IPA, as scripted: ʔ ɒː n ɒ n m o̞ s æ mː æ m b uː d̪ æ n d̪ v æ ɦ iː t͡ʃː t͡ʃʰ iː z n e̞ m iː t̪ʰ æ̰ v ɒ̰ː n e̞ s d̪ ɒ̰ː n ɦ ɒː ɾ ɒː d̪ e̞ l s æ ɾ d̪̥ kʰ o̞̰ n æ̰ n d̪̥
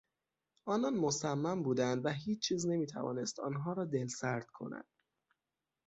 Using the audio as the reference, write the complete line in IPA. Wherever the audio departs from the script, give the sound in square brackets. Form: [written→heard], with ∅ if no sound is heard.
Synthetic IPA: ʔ ɒː n ɒ n m o̞ s æ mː æ m b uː d̪ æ n d̪ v æ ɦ iː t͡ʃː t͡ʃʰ iː z n e̞ m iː t̪ʰ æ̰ v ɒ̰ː n e̞ s [d̪→t̪] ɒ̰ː n ɦ ɒː ɾ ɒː d̪ e̞ l s æ ɾ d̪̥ kʰ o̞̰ n æ̰ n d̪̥